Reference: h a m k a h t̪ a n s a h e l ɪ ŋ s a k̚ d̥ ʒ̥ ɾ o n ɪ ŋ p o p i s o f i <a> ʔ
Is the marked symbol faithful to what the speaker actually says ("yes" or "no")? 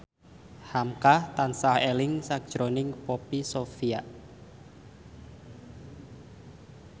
yes